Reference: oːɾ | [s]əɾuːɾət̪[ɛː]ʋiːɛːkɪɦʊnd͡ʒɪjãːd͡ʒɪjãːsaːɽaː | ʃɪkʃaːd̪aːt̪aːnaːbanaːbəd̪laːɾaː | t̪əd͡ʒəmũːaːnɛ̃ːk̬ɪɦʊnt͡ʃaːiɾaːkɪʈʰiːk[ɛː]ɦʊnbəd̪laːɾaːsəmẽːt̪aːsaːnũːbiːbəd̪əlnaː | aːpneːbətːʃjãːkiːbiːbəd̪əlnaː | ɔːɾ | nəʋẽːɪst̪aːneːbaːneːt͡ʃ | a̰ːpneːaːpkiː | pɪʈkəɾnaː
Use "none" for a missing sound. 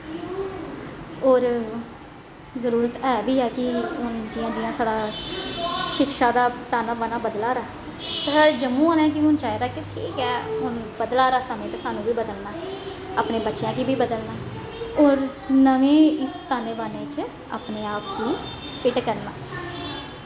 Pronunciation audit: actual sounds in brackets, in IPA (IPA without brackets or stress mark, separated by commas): z, ɛː, ɛː